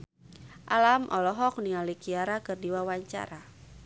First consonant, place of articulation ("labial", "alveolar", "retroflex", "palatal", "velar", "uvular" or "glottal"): glottal